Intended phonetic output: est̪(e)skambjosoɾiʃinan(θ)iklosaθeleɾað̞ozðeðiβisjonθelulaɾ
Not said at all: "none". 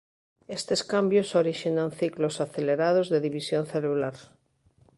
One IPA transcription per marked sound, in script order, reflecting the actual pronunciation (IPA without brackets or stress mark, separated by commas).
e, θ